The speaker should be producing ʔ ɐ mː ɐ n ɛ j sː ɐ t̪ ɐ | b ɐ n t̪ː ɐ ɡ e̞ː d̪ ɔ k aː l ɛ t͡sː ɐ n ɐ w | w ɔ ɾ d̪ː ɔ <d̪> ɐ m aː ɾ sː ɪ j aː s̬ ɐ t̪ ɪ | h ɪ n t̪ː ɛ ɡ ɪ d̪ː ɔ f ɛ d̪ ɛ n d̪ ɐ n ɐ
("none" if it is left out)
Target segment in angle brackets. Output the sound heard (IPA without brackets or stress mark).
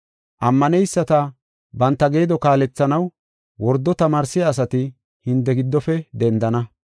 t̪